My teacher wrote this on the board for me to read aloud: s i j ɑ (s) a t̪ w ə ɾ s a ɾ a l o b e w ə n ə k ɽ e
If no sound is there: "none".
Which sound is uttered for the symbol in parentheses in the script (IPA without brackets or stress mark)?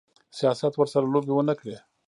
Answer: s